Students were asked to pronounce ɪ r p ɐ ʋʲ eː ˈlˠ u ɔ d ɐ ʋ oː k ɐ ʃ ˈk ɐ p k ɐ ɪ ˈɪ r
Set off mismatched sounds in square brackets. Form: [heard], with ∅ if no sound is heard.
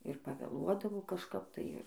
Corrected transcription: ɪ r p ɐ ʋʲ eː ˈlˠ u ɔ d ɐ ʋ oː k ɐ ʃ ˈk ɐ p [t] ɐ ɪ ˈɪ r